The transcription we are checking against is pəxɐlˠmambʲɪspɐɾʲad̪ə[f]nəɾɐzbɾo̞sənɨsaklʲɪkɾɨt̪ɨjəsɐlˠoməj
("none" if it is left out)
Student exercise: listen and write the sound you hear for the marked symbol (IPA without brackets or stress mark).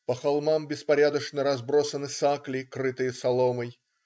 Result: ʂ